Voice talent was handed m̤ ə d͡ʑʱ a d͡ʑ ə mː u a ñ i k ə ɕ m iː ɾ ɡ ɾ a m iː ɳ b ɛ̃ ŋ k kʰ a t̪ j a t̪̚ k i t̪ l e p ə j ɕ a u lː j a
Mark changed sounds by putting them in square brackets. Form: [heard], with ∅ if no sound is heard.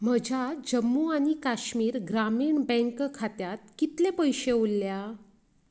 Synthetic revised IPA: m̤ ə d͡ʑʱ a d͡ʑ ə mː u a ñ i k [a] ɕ m iː ɾ ɡ ɾ a m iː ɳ b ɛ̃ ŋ k kʰ a t̪ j a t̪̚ k i t̪ l e p ə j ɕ [e] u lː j a